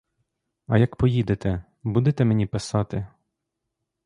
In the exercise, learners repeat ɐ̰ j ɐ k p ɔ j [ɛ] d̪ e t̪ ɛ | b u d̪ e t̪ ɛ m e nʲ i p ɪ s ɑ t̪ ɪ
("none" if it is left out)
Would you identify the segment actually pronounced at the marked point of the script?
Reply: i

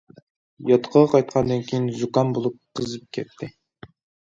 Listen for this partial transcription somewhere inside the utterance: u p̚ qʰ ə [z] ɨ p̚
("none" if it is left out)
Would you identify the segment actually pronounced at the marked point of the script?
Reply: z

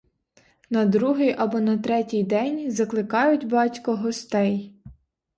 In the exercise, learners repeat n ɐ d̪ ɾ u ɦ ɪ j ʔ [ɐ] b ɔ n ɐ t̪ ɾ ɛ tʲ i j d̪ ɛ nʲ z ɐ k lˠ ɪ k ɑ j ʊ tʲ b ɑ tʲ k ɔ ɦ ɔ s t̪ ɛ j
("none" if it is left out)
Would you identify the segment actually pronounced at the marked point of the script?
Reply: ɐ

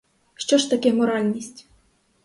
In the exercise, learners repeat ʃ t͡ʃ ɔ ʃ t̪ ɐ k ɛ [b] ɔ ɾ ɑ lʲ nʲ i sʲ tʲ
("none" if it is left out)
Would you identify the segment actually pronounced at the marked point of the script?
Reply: m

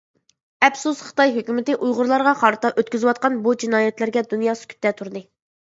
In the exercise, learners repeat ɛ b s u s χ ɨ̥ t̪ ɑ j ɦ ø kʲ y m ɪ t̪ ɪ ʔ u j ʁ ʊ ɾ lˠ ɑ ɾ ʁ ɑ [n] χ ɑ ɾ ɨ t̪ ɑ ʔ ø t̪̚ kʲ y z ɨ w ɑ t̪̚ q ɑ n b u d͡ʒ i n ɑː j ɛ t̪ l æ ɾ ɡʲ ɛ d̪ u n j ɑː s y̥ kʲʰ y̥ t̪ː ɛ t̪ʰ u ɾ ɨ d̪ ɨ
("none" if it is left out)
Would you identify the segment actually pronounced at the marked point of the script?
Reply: none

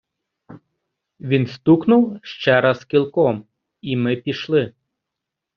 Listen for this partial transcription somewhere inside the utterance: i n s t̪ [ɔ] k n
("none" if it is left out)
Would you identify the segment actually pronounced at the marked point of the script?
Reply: u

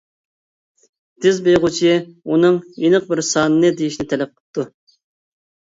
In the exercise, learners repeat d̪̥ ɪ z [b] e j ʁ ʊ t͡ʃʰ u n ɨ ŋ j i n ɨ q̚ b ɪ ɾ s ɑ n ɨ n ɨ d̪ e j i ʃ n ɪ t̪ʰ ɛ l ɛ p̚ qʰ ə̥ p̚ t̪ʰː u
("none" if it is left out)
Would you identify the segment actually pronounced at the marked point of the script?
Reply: b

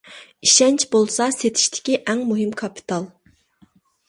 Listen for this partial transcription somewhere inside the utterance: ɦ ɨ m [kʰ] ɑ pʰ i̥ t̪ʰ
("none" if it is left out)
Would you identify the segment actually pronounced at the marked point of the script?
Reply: kʰ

